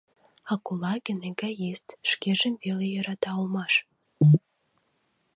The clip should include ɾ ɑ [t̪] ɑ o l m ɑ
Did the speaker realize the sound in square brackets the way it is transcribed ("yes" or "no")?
yes